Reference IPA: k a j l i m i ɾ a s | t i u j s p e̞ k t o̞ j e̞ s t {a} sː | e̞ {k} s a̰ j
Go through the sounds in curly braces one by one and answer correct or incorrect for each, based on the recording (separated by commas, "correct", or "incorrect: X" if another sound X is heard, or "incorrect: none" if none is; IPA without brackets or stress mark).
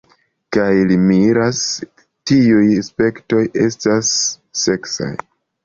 correct, correct